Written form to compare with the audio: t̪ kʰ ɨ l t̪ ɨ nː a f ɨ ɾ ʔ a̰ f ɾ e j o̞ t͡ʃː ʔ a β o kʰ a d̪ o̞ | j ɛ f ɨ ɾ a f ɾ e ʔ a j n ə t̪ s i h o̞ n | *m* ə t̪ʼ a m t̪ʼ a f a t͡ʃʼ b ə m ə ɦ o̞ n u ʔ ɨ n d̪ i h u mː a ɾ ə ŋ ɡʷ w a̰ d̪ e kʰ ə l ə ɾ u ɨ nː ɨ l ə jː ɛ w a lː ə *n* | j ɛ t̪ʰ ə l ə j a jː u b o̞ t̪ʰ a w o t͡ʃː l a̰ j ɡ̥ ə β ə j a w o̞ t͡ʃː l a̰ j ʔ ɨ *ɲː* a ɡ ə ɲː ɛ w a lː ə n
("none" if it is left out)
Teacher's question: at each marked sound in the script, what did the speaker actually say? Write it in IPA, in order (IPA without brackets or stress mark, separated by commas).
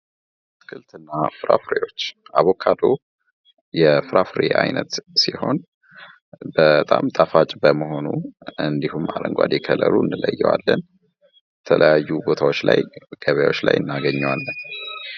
b, n, nː